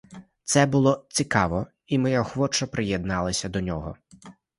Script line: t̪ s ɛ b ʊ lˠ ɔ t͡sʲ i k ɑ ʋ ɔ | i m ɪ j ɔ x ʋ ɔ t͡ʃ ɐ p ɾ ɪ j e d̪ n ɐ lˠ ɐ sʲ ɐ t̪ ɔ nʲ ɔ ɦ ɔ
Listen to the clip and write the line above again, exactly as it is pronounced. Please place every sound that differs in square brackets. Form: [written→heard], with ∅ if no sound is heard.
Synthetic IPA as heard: t̪ s ɛ b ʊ lˠ ɔ t͡sʲ i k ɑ ʋ ɔ | i m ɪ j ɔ x ʋ ɔ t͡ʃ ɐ p ɾ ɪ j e d̪ n [ɐ→ɑ] lˠ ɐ sʲ ɐ [t̪→d̪] ɔ nʲ ɔ ɦ ɔ